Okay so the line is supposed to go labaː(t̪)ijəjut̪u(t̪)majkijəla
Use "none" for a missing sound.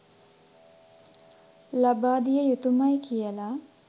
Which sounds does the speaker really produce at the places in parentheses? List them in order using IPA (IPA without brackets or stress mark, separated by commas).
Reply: d̪, none